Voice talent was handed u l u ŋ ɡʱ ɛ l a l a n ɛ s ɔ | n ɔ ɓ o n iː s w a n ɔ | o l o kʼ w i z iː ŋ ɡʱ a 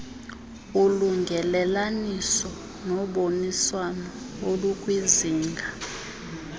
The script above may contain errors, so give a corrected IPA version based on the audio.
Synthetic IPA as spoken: u l u ŋ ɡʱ ɛ l ɛ l a n i s ɔ | n ɔ ɓ o n i s w a n ɔ | o l u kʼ w i z iː ŋ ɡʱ a